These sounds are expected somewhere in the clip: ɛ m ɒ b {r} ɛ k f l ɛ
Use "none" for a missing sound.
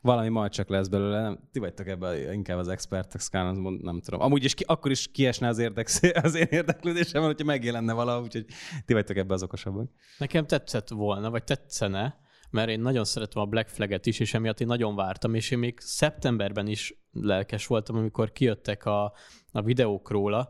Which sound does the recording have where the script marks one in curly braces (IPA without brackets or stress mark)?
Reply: l